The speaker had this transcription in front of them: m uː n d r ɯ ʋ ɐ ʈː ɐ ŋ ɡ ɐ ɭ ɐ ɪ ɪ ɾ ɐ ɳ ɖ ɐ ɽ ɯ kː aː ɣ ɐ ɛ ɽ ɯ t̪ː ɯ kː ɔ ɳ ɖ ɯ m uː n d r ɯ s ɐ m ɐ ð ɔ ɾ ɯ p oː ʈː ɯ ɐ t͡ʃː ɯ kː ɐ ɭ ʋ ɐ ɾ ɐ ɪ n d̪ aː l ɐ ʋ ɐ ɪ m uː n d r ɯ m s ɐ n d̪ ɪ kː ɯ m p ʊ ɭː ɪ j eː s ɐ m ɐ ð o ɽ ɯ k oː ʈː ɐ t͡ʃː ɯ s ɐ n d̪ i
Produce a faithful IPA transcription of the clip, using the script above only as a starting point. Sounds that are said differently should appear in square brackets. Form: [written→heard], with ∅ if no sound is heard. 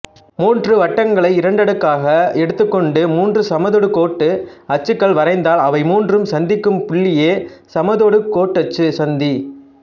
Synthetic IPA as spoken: m uː n d r ɯ ʋ ɐ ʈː ɐ ŋ ɡ ɐ ɭ ɐ ɪ ɪ ɾ ɐ ɳ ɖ ɐ ɽ ɯ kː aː ɣ ɐ ɛ ɽ ɯ t̪ː ɯ kː ɔ ɳ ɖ ɯ m uː n d r ɯ s ɐ m ɐ ð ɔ [ɾ→ɽ] ɯ [p→k] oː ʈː ɯ ɐ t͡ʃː ɯ kː ɐ ɭ ʋ ɐ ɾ ɐ ɪ n d̪ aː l ɐ ʋ ɐ ɪ m uː n d r ɯ m s ɐ n d̪ ɪ kː ɯ m p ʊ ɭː ɪ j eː s ɐ m ɐ ð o ɽ ɯ k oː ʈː ɐ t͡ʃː ɯ s ɐ n d̪ i